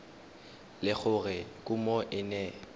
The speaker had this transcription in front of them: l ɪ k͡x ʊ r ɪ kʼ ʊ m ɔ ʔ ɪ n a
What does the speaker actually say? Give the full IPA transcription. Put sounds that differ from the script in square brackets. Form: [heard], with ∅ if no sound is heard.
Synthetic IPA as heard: l ɪ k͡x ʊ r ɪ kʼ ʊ m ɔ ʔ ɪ n [ɛ]